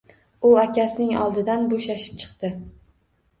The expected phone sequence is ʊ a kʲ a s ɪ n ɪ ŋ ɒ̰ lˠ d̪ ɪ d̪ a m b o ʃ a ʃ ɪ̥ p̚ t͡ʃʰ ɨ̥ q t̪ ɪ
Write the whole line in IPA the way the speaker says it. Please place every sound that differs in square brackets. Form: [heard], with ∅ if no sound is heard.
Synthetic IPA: ʊ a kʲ a s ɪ n ɪ ŋ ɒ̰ lˠ d̪ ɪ d̪ a [n] b o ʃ a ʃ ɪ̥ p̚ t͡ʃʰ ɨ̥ q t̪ ɪ